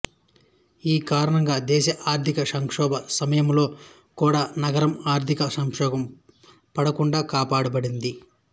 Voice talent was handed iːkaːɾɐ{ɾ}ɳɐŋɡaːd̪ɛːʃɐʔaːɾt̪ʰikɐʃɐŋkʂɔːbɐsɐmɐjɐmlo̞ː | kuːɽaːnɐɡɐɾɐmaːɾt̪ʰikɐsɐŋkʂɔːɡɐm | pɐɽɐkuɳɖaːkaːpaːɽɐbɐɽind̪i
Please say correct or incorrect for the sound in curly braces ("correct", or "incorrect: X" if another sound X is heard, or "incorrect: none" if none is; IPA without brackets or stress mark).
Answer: incorrect: none